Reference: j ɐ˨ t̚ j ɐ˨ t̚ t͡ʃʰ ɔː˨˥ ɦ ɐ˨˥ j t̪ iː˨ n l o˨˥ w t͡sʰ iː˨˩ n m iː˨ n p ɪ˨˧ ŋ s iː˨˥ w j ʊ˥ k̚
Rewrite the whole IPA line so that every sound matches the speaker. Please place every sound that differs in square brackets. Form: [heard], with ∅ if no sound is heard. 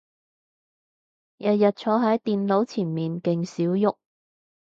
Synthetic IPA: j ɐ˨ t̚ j ɐ˨ t̚ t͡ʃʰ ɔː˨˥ ɦ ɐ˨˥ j t̪ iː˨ n l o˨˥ w t͡sʰ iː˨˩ n m iː˨ n [k] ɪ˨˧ ŋ s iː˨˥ w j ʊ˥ k̚